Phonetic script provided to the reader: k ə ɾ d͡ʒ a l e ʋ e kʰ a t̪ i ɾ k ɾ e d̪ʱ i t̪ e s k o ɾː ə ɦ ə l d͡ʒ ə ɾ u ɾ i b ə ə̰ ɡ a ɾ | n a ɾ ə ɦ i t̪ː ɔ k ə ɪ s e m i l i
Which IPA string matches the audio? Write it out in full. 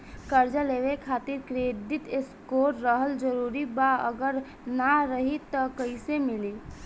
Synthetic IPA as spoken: k ə ɾ d͡ʒ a l e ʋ e kʰ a t̪ i ɾ k ɾ e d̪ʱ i t̪ e s k o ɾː ə ɦ ə l d͡ʒ ə ɾ u ɾ i b a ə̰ ɡ ə ɾ | n a ɾ ə ɦ i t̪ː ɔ k ə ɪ s e m i l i